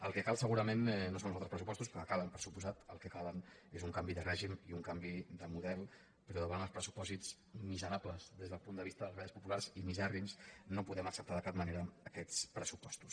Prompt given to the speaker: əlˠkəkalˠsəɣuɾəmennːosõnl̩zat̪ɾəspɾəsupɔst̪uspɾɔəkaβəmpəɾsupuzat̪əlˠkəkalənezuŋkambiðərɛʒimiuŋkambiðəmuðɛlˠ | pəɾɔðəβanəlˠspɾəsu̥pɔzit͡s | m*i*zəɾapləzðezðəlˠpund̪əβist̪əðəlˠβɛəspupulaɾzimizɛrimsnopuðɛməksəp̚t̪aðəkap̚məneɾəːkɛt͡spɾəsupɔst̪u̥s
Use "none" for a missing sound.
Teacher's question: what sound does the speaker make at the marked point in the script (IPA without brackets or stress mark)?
i